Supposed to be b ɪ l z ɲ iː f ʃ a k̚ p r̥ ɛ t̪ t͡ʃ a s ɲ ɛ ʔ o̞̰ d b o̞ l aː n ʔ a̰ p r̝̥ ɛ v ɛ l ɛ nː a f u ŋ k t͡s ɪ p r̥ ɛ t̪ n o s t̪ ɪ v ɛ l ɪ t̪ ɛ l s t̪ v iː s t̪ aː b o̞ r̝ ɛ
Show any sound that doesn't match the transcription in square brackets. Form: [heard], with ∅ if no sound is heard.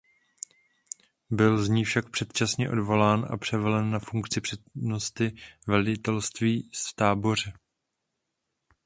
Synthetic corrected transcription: b ɪ l z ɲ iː f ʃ a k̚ p r̥ ɛ t̪ t͡ʃ a s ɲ ɛ ʔ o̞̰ d [v] o̞ l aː n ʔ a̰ p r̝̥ ɛ v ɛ l ɛ nː a f u ŋ k t͡s ɪ p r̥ ɛ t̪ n o s t̪ ɪ v ɛ l ɪ t̪ ɛ l s t̪ v iː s t̪ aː b o̞ r̝ ɛ